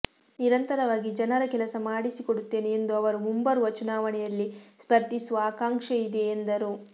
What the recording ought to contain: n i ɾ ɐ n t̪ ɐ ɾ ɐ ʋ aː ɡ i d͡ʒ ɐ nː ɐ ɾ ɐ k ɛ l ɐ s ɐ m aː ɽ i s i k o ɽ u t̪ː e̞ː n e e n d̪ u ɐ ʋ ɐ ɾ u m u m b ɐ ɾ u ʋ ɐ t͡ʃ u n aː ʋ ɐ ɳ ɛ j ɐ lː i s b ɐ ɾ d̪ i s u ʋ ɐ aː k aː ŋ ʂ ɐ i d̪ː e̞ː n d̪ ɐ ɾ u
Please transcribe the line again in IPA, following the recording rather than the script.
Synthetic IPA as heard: n i ɾ ɐ n t̪ ɐ ɾ ɐ ʋ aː ɡ i d͡ʒ ɐ n ɐ ɾ ɐ k ɛ l ɐ s ɐ m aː ɽ i s i k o ɽ u t̪ː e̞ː n e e n d̪ u ɐ ʋ ɐ ɾ u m u m b ɐ ɾ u ʋ ɐ t͡ʃ u n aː ʋ ɐ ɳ ɛ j ɐ lː i s p ɐ ɾ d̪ i s u ʋ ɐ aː k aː ŋ ʂ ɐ i d̪ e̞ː n d̪ ɐ ɾ u